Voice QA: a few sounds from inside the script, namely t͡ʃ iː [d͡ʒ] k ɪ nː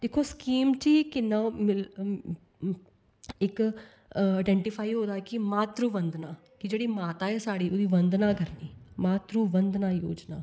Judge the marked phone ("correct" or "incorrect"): incorrect